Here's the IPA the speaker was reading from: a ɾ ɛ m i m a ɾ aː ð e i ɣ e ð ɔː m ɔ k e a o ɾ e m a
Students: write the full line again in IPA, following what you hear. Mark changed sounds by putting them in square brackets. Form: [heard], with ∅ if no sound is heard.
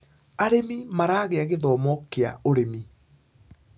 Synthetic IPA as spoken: a ɾ [e] m i m a ɾ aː [ɣ] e [a] ɣ e ð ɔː m ɔ k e a o ɾ e m [i]